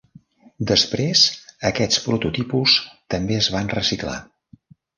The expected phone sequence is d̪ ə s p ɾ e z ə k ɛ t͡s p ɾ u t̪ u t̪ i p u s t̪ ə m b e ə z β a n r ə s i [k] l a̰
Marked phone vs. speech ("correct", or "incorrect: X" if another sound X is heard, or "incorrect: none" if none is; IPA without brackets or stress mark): correct